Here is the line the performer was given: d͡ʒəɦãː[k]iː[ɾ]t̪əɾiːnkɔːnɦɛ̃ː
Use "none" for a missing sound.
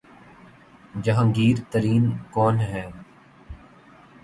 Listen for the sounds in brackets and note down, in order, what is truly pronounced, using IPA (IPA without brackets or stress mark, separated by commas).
ɡ, ɾ